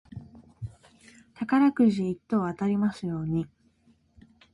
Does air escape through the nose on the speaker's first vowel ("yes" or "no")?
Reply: no